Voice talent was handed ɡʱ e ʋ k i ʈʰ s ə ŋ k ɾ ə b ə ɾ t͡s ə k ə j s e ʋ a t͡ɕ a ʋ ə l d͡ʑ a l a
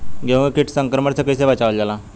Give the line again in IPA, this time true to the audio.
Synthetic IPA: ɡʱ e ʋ k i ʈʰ s ə ŋ k ɾ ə m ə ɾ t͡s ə k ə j s e ʋ a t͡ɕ a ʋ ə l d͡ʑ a l a